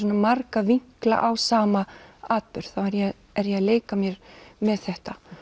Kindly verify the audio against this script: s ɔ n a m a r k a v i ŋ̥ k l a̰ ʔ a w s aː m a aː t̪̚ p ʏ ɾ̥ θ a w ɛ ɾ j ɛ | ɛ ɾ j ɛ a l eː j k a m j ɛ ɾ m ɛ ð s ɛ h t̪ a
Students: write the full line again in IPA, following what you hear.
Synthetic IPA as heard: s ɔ n a m a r k a v i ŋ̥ k l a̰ ʔ a w s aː m a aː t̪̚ p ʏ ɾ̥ θ a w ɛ ɾ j ɛ | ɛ ɾ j ɛ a l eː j k a m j ɛ ɾ m ɛ ð θ ɛ h t̪ a

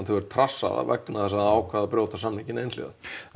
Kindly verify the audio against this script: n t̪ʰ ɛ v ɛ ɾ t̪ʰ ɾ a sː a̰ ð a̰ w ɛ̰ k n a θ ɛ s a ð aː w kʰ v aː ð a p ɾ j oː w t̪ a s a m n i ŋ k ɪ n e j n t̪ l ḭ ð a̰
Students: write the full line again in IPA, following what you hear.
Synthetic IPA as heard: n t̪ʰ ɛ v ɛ ɾ t̪ʰ ɾ a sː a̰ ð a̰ v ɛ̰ k n a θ ɛ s a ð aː w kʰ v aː ð a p ɾ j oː w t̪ a s a m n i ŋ c ɪ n e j n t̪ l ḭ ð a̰

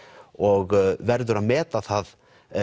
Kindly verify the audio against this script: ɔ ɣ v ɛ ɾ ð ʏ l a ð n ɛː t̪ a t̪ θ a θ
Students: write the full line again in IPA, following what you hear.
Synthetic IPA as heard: ɔ ɣ v ɛ ɾ ð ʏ ɾ a ð m ɛː t̪ a θ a ð

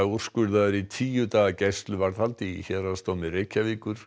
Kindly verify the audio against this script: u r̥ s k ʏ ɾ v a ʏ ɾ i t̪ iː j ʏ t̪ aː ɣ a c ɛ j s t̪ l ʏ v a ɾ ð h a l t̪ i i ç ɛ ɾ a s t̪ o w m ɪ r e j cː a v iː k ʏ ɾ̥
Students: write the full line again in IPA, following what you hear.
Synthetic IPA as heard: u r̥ s k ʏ ɾ ð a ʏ ɾ i t̪ʰ iː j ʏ t̪ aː ɣ a c ɛ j s t̪ l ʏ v a ɾ ð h a l t̪ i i ç ɛ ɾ a s t̪ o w m ɪ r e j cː a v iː k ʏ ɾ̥

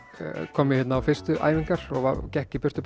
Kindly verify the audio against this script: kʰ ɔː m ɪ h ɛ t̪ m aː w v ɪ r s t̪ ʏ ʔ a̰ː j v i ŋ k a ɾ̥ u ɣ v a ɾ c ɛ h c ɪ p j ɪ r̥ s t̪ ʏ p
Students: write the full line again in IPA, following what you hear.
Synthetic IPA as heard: kʰ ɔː m ɪ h ɛ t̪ n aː w f ɪ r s t̪ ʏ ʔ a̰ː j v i ŋ k a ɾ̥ ɔ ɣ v a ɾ c ɛ h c ɪ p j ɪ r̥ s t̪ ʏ p

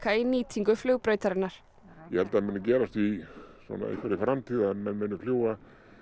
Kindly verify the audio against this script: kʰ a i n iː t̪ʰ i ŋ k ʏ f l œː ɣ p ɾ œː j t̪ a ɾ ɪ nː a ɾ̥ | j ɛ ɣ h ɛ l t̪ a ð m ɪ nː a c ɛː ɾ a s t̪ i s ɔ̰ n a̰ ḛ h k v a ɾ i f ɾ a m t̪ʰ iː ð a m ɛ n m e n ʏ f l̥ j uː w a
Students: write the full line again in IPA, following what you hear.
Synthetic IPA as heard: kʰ a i n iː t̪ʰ i ŋ k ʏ f l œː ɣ p ɾ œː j t̪ a ɾ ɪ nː a ɾ̥ | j ɛ h ɛ l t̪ a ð m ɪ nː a c ɛː ɾ a s t̪ i s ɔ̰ n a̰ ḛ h k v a ɾ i f ɾ a m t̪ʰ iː ð a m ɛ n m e n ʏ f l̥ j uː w a

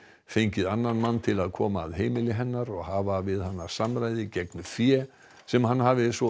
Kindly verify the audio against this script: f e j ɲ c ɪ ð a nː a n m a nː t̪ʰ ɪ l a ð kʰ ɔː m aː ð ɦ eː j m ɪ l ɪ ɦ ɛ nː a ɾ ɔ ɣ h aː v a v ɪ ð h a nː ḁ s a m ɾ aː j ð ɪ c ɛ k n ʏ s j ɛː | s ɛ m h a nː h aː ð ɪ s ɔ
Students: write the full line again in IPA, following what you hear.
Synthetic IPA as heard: f e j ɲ c ɪ ð a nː a n m a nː t̪ʰ ɪ l a ð kʰ ɔː m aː ð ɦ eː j m ɪ l ɪ ɦ ɛ nː a ɾ ɔ ɣ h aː v a v ɪ ð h a nː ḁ s a m ɾ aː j ð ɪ c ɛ k n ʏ f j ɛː | s ɛ m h a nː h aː v ɪ s ɔ

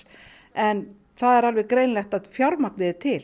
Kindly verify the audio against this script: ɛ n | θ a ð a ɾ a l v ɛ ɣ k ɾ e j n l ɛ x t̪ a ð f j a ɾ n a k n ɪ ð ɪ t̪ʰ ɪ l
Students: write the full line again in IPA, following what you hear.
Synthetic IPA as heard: ɛ n | θ a ð ɛ ɾ a l v ɛ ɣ k ɾ e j n l ɛ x t̪ a ð f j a ɾ m a k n ɪ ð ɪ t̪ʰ ɪ l

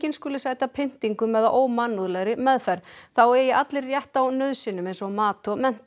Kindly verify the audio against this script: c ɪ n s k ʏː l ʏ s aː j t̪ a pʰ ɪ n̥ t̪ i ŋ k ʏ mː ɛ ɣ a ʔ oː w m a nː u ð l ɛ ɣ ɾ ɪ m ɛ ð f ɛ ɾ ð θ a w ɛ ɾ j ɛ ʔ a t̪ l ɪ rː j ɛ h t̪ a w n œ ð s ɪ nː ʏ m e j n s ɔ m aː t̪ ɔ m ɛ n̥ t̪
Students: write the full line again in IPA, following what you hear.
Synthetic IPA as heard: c ɪ n s k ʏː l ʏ s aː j t̪ a pʰ ɪ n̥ t̪ i ŋ k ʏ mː ɛ ð a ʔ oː w m a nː u ð l ɛ ɣ ɾ ɪ m ɛ ð f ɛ ɾ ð θ a w ɛ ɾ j ɛ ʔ a t̪ l ɪ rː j ɛ h t̪ a w n œ ð s ɪ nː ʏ m e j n s ɔ m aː t̪ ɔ m ɛ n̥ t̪

